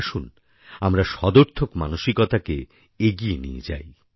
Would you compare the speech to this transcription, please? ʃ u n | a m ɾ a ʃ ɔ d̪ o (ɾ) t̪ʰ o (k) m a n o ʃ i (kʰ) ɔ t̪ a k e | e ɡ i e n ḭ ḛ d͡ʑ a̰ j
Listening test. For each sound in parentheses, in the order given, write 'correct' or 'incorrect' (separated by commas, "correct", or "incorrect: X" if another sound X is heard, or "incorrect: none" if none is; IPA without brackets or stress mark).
correct, correct, incorrect: k